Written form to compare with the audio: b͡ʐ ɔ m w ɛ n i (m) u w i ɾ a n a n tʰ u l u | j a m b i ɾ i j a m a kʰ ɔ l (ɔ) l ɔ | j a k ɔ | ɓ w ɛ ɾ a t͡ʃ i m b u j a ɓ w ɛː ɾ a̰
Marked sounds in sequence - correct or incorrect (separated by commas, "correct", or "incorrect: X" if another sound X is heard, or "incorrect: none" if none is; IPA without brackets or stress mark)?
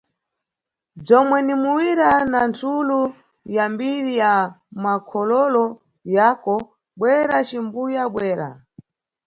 correct, correct